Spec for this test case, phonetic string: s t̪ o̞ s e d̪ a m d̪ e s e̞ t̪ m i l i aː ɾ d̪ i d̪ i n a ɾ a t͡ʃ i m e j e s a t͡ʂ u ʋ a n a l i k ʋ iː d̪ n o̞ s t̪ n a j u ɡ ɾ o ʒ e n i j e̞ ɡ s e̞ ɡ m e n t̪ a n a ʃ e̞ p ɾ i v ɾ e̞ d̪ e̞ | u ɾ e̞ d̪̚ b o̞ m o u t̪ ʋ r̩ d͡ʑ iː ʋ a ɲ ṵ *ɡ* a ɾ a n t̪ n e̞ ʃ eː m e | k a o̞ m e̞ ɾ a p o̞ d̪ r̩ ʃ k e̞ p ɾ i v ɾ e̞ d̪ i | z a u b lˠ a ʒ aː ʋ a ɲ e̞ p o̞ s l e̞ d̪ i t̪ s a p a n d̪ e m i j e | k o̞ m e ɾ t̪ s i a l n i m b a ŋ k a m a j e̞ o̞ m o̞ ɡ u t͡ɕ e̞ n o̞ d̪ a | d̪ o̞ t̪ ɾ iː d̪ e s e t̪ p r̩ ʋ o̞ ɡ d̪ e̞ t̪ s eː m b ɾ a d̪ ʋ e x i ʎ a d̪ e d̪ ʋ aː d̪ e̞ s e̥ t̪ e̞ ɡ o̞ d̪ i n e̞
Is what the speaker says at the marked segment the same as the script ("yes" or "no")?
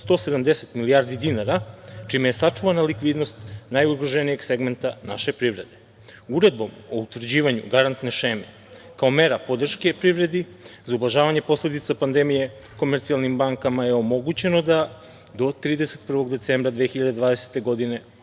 yes